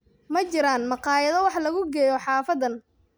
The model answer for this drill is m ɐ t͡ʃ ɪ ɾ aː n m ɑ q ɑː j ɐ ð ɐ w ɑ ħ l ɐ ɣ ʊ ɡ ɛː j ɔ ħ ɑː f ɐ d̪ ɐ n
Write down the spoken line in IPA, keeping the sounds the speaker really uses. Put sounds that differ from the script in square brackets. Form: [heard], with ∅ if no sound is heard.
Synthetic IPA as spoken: m ɐ t͡ʃ ɪ ɾ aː n m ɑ q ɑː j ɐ ð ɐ w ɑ ħ l ɐ ɣ ʊ ɡ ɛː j ɔ ħ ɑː f ɐ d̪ ɐ n